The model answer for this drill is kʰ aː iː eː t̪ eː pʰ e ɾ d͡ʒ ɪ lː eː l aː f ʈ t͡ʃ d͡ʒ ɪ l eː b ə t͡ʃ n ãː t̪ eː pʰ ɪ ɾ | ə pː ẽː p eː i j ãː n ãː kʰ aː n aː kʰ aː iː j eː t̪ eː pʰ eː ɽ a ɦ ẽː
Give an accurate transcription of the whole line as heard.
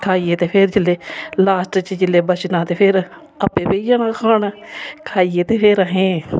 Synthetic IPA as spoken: kʰ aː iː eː t̪ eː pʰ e ɾ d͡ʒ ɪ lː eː l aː s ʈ t͡ʃ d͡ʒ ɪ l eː b ə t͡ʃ n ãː t̪ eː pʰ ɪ ɾ | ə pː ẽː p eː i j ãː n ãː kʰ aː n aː kʰ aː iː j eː t̪ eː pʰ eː ɾ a ɦ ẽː